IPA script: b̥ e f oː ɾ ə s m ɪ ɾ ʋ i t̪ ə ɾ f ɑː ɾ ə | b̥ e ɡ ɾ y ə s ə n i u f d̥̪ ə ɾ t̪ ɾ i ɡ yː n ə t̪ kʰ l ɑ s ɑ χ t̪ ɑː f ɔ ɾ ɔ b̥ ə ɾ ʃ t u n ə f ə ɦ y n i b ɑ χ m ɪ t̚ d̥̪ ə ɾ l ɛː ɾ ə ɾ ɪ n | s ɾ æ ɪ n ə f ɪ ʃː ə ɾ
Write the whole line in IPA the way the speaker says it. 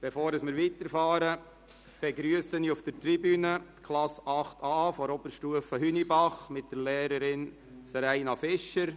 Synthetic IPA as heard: b̥ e f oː ɾ ə s m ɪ ɾ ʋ i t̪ ə ɾ f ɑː ɾ ə | b̥ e ɡ ɾ y ə s ə n i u f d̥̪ ə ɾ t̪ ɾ i b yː n ə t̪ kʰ l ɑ s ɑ χ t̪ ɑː f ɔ ɾ ɔ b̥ ə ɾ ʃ t u ə f ə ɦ y n i b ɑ χ m ɪ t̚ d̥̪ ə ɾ l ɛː ɾ ə ɾ ɪ n | s ɾ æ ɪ n ɑ f ɪ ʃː ə ɾ